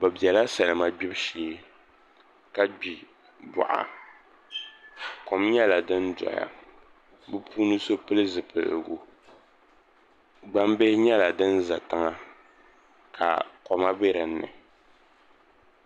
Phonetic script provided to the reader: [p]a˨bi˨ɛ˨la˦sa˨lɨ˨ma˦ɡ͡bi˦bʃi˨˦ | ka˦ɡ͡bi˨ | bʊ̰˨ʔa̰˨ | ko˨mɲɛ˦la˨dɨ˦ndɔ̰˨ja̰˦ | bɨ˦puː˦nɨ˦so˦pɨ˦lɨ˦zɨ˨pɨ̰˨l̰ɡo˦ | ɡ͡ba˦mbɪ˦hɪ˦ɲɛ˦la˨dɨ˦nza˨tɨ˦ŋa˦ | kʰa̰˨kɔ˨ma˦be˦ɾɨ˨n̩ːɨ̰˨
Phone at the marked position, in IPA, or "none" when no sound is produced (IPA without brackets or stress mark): b